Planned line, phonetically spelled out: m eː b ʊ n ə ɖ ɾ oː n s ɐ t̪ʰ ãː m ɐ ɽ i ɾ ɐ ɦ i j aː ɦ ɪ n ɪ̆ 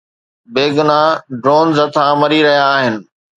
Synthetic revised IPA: b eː ɡ ʊ n a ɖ ɾ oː n z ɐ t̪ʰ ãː m ɐ ɾ i ɾ ɐ ɦ i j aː ɦ ɪ n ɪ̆